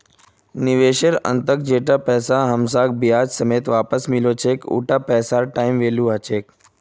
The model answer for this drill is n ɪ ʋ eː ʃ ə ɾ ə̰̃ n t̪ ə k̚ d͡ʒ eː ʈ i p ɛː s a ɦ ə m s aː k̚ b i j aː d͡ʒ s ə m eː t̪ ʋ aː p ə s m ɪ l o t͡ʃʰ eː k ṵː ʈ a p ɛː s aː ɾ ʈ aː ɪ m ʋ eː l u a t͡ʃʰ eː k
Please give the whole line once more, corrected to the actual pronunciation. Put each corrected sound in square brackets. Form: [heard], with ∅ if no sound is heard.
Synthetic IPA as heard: n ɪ ʋ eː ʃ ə ɾ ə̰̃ n t̪ ə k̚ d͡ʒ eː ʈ [a] p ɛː s a ɦ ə m s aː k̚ b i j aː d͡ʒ s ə m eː t̪ ʋ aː p ə s m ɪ l o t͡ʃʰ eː k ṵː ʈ a p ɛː s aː ɾ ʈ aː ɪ m ʋ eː l u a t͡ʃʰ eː k